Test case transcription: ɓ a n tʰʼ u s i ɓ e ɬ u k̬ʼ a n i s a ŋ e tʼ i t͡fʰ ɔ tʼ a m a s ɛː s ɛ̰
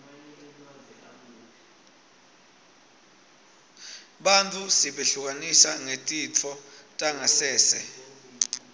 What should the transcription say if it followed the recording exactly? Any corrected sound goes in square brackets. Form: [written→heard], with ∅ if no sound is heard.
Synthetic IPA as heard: ɓ a n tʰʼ u s i ɓ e ɬ u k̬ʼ a n i s a ŋ e tʼ i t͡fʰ ɔ tʼ a [m→ŋ] a s ɛː s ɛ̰